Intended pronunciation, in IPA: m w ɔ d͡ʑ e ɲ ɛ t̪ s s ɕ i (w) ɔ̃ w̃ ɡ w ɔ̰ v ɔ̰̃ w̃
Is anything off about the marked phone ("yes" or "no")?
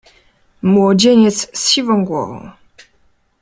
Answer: yes